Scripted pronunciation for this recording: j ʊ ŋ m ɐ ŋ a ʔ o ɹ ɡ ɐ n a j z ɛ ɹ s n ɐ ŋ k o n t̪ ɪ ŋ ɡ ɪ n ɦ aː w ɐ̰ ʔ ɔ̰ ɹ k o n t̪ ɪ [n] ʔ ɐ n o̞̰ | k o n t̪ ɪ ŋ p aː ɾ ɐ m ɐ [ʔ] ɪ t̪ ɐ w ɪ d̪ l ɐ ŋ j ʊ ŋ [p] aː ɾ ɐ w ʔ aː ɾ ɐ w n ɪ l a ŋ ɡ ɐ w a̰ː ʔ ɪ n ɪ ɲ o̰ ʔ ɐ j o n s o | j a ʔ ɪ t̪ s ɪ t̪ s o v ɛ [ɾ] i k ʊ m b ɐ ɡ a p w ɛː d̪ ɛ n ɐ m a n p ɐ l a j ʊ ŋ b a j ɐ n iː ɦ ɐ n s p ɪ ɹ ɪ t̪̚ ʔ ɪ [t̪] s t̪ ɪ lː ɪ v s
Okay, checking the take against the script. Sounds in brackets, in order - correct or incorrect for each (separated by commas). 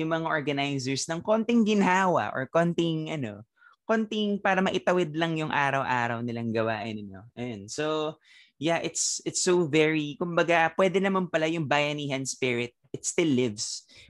incorrect, correct, incorrect, incorrect, correct